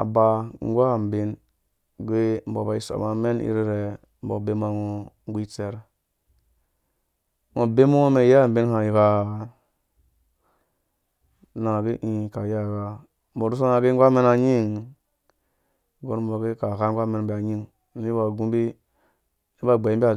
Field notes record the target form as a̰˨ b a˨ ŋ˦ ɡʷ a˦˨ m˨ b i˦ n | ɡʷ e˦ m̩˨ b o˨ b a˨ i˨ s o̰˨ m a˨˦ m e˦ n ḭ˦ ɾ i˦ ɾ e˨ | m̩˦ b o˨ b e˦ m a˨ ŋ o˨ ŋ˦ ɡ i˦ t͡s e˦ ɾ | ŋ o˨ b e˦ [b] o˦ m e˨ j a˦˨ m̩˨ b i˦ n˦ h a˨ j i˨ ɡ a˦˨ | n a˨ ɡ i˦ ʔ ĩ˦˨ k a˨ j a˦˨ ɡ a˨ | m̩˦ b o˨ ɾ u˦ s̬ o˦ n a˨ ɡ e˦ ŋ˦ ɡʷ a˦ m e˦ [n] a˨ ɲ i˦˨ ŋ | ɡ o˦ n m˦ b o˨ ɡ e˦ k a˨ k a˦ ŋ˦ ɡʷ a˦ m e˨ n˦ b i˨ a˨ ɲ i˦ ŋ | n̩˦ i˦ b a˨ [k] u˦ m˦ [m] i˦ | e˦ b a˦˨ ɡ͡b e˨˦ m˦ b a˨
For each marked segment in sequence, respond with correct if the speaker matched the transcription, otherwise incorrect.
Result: incorrect, correct, incorrect, incorrect

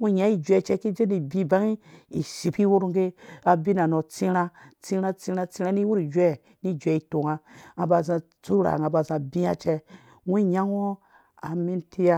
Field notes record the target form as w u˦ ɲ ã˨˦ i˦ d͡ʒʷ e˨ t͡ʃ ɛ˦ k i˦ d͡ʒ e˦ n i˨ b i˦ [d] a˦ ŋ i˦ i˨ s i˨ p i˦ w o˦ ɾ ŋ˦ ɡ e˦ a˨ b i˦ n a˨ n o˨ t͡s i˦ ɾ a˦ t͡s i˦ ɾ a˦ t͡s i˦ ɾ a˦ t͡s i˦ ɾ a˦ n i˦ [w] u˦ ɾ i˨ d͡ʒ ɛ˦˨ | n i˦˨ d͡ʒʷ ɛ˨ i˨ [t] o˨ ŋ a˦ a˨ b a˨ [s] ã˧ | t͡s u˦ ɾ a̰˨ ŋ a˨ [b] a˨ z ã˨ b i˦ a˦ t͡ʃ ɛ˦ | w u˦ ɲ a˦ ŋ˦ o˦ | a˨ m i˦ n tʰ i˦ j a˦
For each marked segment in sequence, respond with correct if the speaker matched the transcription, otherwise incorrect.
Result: incorrect, correct, correct, incorrect, correct

